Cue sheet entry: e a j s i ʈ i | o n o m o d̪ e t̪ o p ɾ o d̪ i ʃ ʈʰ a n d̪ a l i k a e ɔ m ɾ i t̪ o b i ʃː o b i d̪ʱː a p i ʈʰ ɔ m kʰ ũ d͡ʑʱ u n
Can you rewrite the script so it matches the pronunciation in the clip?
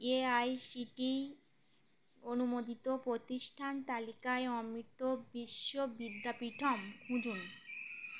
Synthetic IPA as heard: e a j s i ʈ i | o n u m o d̪ i t̪ o p ɾ o t̪ i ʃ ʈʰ a n t̪ a l i k a e ɔ m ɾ i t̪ o b i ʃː o b i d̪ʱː a p i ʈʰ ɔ m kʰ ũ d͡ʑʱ u n